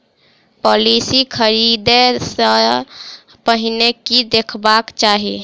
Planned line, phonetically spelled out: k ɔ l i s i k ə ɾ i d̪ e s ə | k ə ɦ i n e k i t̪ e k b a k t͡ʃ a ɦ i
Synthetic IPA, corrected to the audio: p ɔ l i s i kʰ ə ɾ i d̪ e s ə | p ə ɦ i n e k i d̪ e kʰ b a k t͡ʃ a ɦ i